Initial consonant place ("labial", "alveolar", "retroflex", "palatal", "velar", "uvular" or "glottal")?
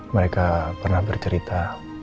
labial